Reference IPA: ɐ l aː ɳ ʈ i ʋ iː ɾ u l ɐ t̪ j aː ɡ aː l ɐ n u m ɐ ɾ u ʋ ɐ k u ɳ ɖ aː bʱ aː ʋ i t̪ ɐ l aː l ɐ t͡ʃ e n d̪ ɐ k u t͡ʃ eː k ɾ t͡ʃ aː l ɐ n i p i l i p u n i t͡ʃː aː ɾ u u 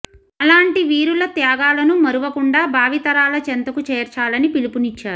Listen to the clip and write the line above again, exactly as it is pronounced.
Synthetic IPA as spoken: ɐ l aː ɳ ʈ i ʋ iː ɾ u l ɐ t̪ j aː ɡ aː l ɐ n u m ɐ ɾ u ʋ ɐ k u ɳ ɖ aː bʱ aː ʋ i t̪ ɐ ɾ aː l ɐ t͡ʃ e n t̪ ɐ k u t͡ʃ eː ɾ t͡ʃ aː l ɐ n i p i l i p u n i t͡ʃː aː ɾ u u